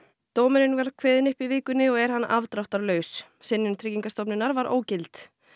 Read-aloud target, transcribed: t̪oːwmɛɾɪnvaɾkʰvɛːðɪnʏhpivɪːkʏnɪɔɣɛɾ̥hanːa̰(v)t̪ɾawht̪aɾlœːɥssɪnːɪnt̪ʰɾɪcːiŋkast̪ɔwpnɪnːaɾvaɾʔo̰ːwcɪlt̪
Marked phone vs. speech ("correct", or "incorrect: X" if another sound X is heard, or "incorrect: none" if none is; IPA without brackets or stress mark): correct